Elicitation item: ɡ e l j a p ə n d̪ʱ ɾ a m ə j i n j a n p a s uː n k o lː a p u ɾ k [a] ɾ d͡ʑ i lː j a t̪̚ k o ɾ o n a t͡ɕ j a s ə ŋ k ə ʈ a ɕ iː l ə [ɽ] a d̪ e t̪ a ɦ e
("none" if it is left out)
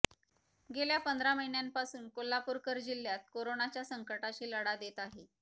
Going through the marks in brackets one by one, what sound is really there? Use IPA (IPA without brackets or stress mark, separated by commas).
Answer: ə, ɽ